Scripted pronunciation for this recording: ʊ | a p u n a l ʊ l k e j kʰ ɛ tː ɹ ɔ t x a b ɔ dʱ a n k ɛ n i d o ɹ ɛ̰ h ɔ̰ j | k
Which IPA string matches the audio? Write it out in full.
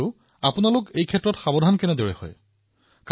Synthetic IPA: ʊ | a p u n a l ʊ k e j kʰ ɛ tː ɹ ɔ t x a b ɔ dʱ a n k ɛ n ɛ d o ɹ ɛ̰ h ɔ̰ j | k